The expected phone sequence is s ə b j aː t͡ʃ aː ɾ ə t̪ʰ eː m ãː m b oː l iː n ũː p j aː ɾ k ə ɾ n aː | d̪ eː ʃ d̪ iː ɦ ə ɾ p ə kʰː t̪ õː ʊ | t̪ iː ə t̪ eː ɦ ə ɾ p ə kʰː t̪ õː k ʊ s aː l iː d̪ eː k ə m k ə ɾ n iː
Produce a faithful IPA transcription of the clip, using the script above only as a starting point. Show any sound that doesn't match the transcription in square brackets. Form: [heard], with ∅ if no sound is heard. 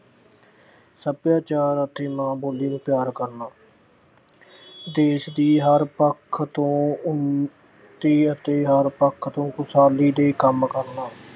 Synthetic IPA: s ə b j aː t͡ʃ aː ɾ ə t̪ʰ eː m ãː [∅] b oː l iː n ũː p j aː ɾ k ə ɾ n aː | d̪ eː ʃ d̪ iː ɦ ə ɾ p ə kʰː t̪ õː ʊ | t̪ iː ə t̪ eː ɦ ə ɾ p ə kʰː t̪ õː k ʊ s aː l iː d̪ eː k ə m k ə ɾ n [aː]